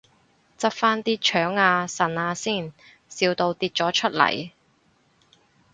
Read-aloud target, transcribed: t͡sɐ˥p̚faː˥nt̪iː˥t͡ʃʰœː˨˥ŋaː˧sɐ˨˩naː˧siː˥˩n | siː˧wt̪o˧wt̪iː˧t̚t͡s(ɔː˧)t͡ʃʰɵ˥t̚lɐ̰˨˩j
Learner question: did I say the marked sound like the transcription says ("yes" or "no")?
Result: no